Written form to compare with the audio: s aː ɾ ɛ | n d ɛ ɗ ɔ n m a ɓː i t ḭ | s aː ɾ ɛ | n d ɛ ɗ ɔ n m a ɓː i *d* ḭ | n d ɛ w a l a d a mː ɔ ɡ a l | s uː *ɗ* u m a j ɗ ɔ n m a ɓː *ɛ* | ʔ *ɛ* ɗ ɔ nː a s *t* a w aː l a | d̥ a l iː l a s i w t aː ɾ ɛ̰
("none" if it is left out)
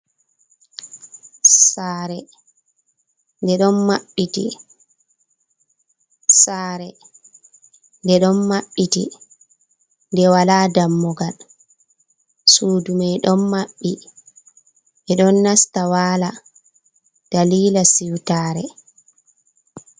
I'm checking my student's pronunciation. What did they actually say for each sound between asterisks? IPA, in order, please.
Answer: t, d, i, ɛ, t

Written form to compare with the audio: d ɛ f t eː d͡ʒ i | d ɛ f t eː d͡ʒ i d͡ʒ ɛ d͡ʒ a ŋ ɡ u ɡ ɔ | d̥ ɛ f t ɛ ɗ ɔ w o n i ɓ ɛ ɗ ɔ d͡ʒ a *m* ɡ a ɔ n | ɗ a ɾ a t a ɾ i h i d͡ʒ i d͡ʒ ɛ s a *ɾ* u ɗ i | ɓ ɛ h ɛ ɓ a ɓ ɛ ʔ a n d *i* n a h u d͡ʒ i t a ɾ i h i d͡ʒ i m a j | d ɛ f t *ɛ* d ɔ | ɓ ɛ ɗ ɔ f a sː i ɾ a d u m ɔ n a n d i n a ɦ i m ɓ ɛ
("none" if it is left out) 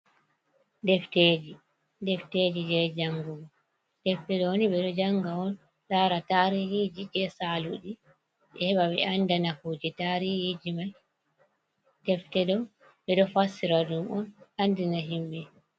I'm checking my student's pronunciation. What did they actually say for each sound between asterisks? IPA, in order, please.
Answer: ŋ, l, a, ɛ

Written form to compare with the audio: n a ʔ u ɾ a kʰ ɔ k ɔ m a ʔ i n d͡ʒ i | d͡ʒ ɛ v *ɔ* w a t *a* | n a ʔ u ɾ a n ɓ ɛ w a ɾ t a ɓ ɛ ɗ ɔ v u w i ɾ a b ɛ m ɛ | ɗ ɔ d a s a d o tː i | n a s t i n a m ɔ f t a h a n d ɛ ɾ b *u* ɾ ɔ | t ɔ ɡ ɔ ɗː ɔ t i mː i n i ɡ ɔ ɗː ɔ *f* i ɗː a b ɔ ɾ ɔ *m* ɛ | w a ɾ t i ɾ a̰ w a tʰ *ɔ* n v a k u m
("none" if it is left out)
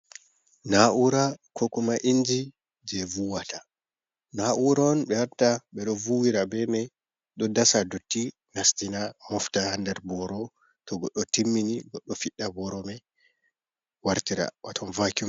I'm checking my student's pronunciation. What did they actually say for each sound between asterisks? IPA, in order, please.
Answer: u, a, ɔ, f, m, ɔ

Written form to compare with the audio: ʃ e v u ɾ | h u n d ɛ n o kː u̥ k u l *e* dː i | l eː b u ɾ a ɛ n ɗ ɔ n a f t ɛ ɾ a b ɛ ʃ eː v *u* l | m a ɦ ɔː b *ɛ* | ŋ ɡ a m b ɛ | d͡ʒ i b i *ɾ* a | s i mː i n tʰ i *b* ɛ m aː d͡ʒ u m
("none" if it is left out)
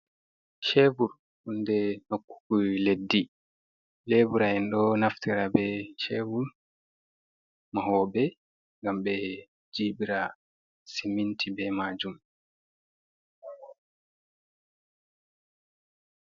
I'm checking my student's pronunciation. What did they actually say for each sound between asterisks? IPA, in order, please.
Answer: e, u, ɛ, ɾ, b

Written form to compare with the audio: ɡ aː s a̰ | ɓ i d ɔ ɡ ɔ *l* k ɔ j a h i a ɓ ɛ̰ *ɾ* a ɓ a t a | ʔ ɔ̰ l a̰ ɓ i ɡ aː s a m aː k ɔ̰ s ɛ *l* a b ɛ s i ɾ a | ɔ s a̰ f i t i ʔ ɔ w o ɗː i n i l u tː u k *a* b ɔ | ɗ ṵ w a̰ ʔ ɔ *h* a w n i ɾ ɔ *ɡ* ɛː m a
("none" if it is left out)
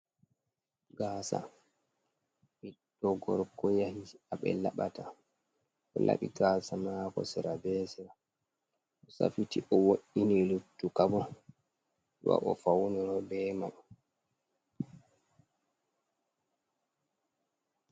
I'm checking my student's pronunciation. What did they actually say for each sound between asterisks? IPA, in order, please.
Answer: ɾ, l, ɾ, a, f, b

